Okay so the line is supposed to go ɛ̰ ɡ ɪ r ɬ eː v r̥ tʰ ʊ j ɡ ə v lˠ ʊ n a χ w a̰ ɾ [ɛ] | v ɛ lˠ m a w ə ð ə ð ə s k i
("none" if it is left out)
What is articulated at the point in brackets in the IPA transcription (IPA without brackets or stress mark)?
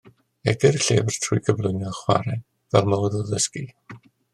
ɛ